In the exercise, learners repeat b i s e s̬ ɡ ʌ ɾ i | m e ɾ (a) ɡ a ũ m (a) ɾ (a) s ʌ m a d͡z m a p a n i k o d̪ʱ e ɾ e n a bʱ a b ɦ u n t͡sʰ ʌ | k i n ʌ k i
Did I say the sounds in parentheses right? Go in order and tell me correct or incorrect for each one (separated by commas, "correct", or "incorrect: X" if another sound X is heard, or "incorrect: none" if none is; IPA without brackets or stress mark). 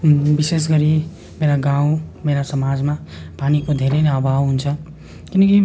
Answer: correct, incorrect: e, correct